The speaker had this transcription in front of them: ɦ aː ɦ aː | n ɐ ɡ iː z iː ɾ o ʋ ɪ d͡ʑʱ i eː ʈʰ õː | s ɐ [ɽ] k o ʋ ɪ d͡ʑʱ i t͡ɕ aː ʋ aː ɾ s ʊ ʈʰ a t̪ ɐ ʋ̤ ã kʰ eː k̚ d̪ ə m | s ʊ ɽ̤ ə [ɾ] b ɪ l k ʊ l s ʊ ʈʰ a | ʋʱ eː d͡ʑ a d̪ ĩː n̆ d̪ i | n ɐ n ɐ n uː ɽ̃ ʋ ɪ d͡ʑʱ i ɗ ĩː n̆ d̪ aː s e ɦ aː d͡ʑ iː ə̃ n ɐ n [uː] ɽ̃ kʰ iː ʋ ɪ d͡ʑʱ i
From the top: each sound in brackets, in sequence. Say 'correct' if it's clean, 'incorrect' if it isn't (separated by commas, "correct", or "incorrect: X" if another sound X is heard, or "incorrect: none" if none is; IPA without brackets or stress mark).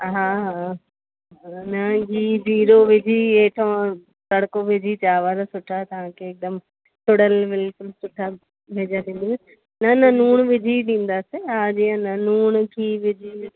correct, incorrect: l, correct